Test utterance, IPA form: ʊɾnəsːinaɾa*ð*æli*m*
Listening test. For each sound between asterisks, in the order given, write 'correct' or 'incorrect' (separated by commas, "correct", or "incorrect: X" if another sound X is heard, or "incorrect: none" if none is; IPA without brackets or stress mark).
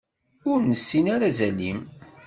incorrect: z, correct